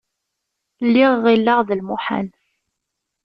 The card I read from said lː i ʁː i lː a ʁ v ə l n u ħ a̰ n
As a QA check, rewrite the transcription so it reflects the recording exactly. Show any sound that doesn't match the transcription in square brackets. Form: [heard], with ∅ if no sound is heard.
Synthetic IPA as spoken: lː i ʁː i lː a ʁ [ð] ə l [m] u ħ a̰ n